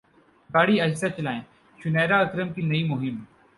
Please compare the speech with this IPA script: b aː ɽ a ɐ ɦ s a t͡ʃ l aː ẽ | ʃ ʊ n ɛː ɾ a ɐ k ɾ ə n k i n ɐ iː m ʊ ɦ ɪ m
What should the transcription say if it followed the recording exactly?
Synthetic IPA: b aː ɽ i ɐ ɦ s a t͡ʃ l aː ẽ | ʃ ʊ n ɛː ɾ a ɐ k ɾ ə m k i n ɐ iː m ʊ ɦ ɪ m